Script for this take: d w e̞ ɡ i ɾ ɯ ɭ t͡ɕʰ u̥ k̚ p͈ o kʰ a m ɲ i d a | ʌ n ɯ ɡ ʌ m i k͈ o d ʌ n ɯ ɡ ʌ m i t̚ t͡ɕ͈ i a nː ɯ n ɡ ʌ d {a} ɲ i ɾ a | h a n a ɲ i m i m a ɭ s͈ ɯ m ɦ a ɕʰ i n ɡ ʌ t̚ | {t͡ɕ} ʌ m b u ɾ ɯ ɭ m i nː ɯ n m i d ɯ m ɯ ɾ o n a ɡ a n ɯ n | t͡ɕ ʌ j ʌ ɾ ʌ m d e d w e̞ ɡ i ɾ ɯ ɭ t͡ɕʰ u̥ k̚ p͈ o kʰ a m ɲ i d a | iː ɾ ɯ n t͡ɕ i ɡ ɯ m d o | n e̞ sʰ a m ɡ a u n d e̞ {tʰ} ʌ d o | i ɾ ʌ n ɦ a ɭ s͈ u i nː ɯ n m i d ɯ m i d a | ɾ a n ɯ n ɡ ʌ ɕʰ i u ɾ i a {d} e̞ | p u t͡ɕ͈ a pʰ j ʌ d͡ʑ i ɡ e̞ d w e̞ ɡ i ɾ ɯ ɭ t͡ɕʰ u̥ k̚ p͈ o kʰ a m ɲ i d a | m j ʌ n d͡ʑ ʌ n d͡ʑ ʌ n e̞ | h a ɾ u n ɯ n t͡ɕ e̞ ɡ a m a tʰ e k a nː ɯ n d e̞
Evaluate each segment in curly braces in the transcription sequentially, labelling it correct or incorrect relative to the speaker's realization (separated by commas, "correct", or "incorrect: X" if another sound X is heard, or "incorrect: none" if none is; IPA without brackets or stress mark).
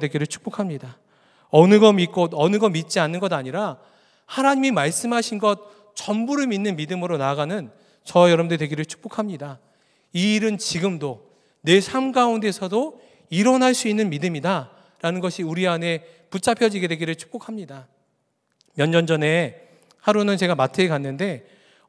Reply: correct, correct, incorrect: sʰ, incorrect: n